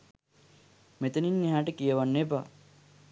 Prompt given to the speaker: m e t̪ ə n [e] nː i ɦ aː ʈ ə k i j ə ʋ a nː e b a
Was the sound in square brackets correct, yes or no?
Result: no